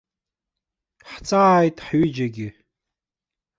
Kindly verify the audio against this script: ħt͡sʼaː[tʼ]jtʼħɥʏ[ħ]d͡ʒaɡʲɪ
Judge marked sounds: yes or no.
no, no

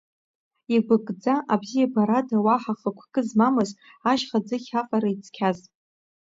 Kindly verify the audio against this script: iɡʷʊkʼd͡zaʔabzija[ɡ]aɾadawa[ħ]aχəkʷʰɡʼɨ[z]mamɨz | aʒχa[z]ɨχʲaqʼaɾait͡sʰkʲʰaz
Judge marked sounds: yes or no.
no, yes, yes, no

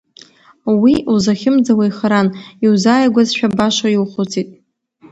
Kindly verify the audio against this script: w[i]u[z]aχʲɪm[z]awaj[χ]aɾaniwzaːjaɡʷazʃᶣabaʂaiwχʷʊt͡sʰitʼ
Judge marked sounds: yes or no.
yes, yes, no, yes

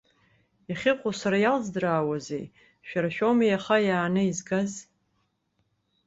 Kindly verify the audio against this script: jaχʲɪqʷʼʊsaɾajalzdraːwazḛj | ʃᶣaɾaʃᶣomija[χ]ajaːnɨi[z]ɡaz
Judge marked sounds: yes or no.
yes, yes

